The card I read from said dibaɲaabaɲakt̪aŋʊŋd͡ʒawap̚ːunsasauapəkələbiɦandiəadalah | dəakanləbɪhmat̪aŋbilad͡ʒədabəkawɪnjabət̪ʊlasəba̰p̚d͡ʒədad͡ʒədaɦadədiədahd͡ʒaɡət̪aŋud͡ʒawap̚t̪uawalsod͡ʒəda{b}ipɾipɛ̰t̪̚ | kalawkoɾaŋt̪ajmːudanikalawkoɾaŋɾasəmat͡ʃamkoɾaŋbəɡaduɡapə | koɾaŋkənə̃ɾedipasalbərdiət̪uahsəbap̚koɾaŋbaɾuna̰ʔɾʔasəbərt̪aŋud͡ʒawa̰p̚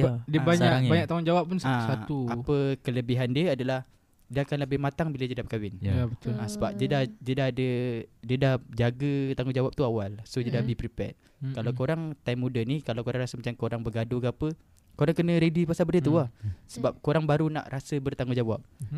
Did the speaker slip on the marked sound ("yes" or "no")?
no